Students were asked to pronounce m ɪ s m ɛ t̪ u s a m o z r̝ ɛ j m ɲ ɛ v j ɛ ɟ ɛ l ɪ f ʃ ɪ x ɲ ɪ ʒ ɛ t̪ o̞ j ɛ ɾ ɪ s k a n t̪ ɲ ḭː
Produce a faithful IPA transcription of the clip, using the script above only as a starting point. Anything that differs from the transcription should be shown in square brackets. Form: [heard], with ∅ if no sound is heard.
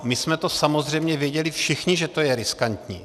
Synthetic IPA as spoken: m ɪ s m ɛ t̪ [o] s a m o z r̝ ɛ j m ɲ ɛ v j ɛ ɟ ɛ l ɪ f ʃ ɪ x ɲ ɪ ʒ ɛ t̪ o̞ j ɛ ɾ ɪ s k a n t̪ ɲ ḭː